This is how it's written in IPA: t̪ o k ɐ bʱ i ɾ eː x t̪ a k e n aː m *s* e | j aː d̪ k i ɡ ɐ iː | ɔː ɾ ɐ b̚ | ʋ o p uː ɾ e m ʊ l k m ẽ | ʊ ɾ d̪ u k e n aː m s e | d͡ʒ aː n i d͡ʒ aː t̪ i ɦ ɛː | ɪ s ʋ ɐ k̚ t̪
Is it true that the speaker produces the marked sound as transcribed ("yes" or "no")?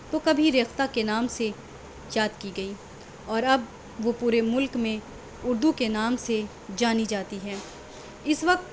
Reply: yes